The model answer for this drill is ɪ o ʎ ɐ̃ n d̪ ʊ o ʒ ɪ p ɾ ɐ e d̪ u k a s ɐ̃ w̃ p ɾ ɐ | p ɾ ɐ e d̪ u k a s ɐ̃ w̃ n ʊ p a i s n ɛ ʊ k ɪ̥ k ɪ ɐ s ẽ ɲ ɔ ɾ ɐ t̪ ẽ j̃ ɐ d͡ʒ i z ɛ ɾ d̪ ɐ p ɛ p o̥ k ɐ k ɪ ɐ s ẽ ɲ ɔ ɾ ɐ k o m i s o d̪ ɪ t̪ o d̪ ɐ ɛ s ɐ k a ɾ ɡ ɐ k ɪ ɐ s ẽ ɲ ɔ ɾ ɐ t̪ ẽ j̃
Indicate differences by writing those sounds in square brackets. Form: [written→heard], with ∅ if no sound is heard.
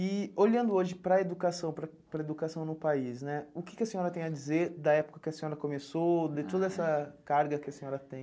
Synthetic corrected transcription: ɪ o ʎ ɐ̃ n d̪ ʊ o ʒ ɪ p ɾ ɐ e d̪ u k a s ɐ̃ w̃ p ɾ ɐ | p ɾ ɐ e d̪ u k a s ɐ̃ w̃ n ʊ p a i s n ɛ ʊ k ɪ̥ k ɪ ɐ s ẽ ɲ ɔ ɾ ɐ t̪ ẽ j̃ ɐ d͡ʒ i z [ɛ→e] ɾ d̪ ɐ [p→∅] ɛ p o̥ k ɐ k ɪ ɐ s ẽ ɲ ɔ ɾ ɐ k o m [i→e] s o d̪ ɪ t̪ o d̪ ɐ ɛ s ɐ k a ɾ ɡ ɐ k ɪ ɐ s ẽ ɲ ɔ ɾ ɐ t̪ ẽ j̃